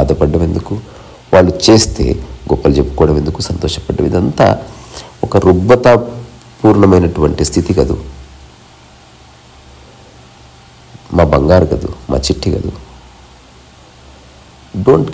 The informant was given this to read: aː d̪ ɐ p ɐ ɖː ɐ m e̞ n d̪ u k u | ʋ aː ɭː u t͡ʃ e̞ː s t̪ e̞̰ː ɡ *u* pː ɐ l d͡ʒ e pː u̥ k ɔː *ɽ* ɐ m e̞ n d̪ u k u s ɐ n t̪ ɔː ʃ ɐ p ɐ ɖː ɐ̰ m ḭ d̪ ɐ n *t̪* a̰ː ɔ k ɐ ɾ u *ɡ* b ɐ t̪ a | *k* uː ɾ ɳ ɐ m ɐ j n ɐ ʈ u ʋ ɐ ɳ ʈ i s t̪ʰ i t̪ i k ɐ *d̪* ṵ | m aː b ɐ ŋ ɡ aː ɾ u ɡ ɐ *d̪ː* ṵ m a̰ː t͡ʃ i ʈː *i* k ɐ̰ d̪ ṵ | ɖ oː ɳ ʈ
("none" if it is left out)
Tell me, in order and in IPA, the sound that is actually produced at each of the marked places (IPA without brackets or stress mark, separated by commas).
ɔ, ɽ, t̪, ɡ, p, d̪, d̪, i